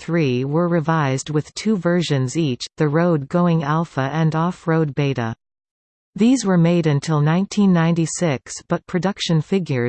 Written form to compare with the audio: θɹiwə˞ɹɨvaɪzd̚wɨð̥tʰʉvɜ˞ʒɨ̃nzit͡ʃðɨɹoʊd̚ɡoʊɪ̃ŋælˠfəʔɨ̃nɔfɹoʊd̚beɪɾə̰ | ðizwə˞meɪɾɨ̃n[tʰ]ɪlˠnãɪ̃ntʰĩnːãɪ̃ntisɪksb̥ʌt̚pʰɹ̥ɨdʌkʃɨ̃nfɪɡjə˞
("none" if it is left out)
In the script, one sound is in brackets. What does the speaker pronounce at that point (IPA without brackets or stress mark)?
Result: tʰ